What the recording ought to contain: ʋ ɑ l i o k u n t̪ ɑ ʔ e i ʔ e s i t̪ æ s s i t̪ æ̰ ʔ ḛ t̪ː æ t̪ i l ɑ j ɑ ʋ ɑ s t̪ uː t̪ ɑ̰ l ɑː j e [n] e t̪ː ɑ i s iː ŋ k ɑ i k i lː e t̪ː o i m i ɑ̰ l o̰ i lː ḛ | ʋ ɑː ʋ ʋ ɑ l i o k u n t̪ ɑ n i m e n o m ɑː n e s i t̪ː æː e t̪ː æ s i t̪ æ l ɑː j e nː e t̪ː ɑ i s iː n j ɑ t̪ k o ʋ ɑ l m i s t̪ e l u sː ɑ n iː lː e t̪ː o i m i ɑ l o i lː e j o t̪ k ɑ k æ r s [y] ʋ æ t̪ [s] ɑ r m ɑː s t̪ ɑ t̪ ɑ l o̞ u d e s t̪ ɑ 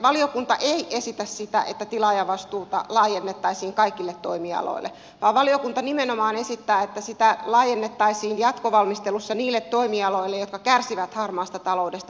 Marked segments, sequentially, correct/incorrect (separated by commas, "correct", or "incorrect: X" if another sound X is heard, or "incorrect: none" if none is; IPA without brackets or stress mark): incorrect: nː, incorrect: i, incorrect: h